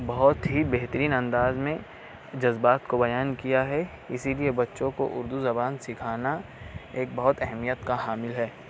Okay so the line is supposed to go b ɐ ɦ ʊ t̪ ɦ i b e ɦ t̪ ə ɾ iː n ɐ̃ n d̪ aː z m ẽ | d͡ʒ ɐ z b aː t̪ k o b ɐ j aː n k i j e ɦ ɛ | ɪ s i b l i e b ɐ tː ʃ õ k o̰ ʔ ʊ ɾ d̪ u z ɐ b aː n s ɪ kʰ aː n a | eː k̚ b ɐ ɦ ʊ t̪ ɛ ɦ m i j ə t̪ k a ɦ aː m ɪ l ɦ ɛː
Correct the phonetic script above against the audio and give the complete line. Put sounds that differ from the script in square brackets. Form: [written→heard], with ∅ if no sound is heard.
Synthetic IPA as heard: b ɐ ɦ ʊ t̪ ɦ i b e ɦ t̪ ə ɾ iː n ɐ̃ n d̪ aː z m ẽ | d͡ʒ ɐ z b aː t̪ k o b ɐ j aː n k i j [e→a] ɦ ɛ | ɪ s i [b→∅] l i e b ɐ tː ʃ õ k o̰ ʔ ʊ ɾ d̪ u z ɐ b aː n s ɪ kʰ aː n a | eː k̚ b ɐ ɦ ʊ t̪ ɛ ɦ m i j ə t̪ k a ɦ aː m ɪ l ɦ ɛː